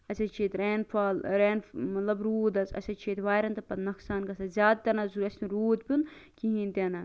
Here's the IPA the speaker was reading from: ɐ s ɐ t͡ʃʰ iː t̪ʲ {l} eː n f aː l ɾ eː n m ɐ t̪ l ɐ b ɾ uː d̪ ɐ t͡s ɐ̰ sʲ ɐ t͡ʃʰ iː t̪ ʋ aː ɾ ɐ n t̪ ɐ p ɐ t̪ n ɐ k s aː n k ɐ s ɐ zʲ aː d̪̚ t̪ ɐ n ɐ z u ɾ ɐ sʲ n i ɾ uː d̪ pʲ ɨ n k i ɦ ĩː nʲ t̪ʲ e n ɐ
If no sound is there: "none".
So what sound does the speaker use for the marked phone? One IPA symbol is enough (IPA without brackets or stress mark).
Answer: ɾ